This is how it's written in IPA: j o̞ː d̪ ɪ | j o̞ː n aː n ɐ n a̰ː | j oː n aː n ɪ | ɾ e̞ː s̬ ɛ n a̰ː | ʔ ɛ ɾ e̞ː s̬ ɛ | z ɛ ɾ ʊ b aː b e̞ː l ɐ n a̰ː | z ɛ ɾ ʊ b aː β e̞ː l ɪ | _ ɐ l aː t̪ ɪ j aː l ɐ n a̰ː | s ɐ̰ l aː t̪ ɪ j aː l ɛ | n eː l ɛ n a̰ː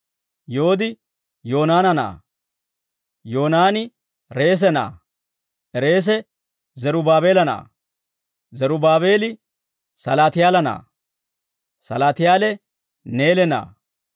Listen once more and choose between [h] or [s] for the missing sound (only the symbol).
s